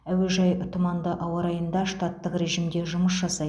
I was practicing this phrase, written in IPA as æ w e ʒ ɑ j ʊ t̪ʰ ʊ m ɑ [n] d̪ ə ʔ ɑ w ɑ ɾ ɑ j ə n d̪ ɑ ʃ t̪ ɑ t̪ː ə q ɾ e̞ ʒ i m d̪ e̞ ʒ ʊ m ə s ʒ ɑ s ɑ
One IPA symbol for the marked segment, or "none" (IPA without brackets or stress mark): n